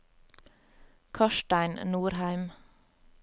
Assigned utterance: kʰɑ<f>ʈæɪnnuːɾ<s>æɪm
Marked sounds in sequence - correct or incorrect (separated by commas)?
incorrect, incorrect